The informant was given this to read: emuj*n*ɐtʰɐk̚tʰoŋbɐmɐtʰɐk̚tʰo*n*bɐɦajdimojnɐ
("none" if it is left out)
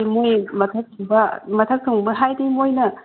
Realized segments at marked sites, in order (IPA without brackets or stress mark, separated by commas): m, ŋ